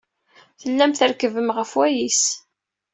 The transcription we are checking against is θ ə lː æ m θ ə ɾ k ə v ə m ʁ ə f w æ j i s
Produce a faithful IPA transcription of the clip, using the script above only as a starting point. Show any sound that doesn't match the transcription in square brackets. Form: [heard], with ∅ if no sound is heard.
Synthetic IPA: θ ə lː æ m θ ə ɾ k ə v ə m ʁ ə f w æ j i s